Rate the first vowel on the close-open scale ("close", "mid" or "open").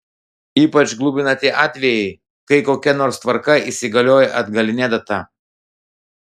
close